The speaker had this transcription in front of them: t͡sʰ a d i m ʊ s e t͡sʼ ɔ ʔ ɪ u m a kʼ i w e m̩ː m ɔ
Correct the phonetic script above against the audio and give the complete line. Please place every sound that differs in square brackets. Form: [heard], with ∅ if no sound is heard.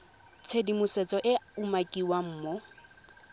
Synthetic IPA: t͡sʰ [e] d i m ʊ s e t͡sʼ ɔ ʔ ɪ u m a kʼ i w [a] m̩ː m ɔ